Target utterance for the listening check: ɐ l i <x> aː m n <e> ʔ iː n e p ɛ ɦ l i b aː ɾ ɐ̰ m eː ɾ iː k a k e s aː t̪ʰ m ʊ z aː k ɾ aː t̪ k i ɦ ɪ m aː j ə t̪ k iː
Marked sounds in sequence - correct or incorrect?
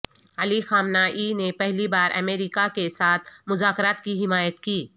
correct, incorrect: a

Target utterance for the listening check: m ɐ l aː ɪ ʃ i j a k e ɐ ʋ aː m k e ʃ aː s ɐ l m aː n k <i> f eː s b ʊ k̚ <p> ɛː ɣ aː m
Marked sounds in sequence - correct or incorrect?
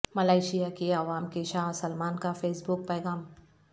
incorrect: a, correct

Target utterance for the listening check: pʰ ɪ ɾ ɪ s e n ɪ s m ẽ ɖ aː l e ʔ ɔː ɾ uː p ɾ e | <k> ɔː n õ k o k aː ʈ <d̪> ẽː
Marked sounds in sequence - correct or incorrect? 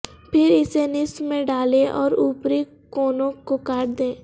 correct, correct

